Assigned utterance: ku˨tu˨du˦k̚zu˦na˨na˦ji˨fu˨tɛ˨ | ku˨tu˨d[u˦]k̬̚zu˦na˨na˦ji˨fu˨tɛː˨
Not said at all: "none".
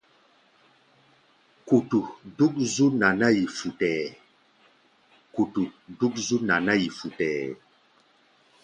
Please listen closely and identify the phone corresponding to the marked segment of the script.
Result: u˦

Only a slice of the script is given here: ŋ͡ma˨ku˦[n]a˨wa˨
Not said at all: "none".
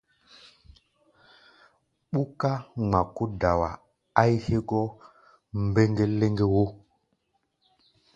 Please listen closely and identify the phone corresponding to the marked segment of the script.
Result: d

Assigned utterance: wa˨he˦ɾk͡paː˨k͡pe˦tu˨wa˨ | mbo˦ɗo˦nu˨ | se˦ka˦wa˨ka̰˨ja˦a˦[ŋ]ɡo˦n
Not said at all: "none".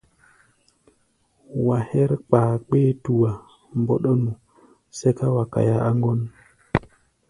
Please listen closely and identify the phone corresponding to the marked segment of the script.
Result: ŋ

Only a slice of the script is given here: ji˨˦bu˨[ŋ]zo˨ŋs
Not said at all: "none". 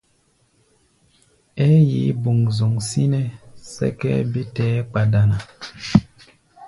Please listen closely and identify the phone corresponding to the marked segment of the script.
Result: ŋ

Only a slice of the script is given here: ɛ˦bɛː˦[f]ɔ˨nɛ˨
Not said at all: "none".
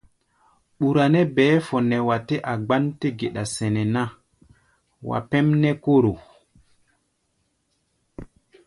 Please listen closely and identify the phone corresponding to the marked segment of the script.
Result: f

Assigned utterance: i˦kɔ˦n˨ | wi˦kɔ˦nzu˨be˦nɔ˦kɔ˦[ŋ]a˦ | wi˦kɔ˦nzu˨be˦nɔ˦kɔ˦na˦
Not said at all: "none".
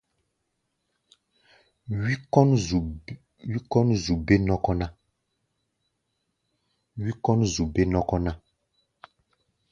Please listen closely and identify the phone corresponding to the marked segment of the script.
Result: n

